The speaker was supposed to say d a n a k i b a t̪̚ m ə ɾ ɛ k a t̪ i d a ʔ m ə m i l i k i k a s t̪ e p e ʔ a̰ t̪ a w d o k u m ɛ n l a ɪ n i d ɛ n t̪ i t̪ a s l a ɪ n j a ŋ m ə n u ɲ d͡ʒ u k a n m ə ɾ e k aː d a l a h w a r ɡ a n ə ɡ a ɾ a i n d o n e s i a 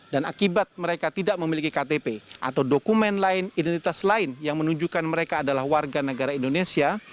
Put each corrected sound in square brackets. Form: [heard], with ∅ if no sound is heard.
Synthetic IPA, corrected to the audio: d a n a k i b a t̪̚ m ə ɾ [e] k a t̪ i d a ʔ m ə m i l i k i k a [∅] t̪ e p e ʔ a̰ t̪ a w d o k u m ɛ n l a ɪ n i d ɛ n t̪ i t̪ a s l a ɪ n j a ŋ m ə n u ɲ d͡ʒ u k a n m ə ɾ e k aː d a l a h w a r ɡ a n ə ɡ a ɾ a i n d o n e s i a